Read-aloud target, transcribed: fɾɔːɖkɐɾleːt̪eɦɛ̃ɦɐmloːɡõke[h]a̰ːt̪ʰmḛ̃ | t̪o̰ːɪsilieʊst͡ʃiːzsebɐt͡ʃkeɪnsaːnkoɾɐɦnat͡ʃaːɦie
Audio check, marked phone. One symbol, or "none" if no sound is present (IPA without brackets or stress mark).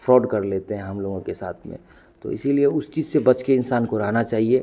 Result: s